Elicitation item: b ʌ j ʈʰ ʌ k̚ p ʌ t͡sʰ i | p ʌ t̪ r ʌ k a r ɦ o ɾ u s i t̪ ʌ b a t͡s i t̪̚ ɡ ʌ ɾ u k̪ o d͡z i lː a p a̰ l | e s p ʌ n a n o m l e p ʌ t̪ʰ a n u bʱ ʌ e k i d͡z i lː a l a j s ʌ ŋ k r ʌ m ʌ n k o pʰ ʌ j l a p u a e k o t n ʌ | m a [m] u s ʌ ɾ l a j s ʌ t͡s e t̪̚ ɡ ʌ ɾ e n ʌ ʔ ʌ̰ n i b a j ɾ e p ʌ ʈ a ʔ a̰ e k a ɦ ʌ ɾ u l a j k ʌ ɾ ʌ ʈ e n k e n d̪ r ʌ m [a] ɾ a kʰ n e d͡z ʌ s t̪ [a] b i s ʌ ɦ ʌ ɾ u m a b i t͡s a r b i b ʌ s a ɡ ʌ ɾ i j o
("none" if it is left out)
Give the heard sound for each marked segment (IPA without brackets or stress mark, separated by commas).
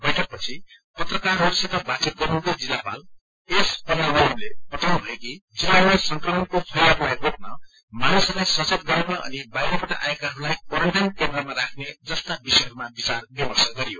n, a, a